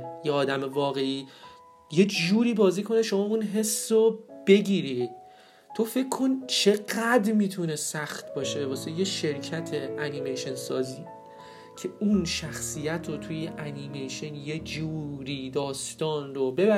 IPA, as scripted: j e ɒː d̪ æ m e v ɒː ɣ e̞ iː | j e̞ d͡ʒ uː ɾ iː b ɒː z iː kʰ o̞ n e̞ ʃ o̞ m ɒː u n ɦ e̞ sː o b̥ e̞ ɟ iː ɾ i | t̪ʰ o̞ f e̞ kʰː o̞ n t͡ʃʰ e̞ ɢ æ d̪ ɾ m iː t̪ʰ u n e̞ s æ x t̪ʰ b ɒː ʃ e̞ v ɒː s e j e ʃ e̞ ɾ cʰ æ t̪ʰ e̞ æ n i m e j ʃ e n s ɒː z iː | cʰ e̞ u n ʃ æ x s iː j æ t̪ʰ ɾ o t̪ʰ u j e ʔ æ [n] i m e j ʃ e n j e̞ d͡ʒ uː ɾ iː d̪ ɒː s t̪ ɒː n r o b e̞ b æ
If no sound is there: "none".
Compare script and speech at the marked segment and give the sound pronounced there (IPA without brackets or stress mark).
n